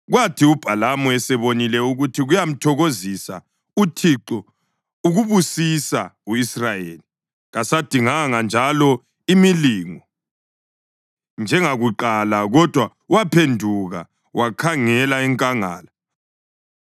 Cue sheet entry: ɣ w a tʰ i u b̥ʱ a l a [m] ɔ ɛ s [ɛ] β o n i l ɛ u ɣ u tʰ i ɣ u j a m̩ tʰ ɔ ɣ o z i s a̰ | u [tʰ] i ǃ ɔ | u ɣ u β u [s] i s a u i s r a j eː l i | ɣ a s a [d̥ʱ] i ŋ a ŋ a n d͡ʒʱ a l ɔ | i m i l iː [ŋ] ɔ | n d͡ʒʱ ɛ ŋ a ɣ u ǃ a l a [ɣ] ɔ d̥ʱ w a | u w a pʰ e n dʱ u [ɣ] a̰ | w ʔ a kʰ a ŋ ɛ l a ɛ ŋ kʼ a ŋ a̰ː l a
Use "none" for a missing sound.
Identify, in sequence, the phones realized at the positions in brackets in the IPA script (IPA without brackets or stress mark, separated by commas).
m, ɛ, tʰ, s, d̥ʱ, ŋ, ɣ, ɣ